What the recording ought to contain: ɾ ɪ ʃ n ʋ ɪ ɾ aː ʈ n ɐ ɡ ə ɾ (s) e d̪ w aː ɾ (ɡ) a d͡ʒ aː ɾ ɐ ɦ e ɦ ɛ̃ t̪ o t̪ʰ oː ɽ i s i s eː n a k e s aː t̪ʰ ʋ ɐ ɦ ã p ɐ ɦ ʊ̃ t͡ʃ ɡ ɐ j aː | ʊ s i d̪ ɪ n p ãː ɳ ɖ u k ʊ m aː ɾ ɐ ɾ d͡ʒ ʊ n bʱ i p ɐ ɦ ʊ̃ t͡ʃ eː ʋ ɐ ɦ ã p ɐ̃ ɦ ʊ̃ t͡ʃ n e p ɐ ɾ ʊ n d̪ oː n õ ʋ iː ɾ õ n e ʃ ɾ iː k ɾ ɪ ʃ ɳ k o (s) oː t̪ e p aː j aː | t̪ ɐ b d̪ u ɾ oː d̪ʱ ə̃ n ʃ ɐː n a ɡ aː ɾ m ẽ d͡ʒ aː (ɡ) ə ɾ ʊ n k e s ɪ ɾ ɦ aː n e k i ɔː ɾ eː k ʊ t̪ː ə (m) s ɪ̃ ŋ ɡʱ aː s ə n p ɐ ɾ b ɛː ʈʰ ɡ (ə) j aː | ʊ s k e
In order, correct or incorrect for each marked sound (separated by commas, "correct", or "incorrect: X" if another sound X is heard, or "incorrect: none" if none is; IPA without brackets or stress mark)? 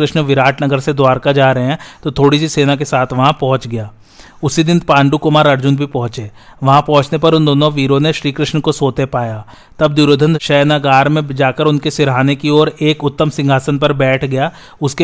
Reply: correct, incorrect: k, correct, incorrect: k, correct, incorrect: ɐ